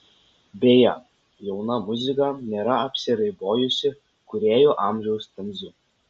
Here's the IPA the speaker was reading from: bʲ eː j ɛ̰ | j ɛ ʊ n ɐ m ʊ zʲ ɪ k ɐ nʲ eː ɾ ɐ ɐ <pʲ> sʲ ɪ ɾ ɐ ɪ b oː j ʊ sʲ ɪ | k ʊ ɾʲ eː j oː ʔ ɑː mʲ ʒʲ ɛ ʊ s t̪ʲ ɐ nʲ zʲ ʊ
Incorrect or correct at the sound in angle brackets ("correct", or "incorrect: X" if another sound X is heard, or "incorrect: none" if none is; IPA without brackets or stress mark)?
correct